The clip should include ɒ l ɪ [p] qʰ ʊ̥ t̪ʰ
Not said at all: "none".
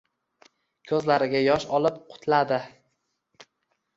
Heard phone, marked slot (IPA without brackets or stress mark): p